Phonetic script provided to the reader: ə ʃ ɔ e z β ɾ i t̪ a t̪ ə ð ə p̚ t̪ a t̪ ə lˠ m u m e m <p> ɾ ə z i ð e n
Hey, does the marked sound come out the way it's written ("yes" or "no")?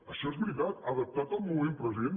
yes